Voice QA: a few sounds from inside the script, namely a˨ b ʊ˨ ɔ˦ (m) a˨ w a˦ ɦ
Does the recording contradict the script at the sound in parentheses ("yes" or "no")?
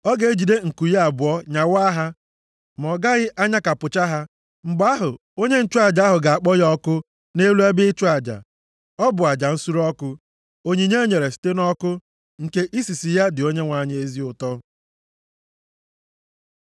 yes